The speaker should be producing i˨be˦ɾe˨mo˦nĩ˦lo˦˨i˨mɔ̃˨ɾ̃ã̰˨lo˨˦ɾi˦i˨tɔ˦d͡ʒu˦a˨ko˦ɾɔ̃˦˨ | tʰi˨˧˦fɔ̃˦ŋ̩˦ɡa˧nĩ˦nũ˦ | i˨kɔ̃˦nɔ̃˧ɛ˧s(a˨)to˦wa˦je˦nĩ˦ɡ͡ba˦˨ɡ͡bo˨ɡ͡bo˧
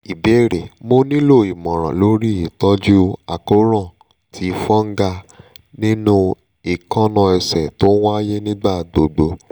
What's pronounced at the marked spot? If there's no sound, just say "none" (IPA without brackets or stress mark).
ɛ˨